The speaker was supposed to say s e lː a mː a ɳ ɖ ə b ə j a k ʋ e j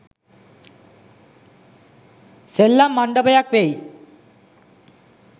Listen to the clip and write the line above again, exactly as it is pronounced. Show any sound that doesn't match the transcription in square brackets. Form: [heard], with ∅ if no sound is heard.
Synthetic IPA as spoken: s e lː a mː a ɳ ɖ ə b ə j a k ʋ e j